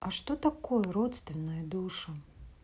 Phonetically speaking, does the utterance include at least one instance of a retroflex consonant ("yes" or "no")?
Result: yes